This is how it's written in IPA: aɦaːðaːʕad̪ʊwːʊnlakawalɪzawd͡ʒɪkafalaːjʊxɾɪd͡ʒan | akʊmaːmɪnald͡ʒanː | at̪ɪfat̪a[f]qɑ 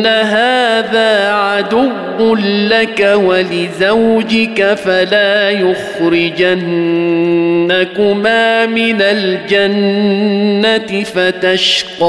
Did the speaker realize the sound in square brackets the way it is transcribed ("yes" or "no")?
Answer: no